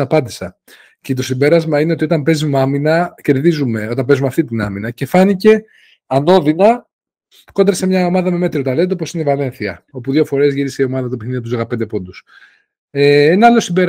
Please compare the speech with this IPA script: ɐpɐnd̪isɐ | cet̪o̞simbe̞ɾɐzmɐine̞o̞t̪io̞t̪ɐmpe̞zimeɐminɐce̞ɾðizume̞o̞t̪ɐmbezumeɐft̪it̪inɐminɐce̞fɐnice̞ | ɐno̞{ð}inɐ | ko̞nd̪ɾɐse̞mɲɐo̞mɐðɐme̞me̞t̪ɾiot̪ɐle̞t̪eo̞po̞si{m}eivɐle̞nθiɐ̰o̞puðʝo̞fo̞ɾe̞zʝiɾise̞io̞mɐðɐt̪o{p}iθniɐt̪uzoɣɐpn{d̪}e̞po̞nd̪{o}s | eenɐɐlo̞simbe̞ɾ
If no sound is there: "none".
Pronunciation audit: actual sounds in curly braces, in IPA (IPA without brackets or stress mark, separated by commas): ð, n, p, d̪, u